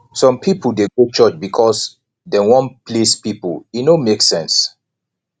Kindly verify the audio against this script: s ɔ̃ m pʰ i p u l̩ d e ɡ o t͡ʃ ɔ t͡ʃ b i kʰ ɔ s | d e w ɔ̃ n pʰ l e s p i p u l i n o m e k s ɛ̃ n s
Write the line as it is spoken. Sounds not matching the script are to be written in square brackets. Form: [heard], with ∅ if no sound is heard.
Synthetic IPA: s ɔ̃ m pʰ i p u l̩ d e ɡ o t͡ʃ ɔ t͡ʃ b i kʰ ɔ s | d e w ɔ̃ n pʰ l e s p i p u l i n o m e k s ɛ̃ n s